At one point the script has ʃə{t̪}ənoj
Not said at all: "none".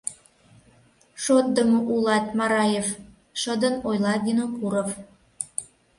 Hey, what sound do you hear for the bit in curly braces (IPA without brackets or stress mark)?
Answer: d̪